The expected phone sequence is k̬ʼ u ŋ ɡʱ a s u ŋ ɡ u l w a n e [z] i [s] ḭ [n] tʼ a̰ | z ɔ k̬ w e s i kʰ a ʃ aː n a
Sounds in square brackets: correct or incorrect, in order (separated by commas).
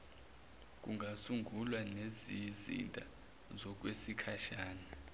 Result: correct, incorrect, correct